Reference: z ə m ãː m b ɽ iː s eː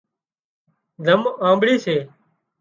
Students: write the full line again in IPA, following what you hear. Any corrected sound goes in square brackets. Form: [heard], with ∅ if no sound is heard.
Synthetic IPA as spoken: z ə m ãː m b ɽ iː s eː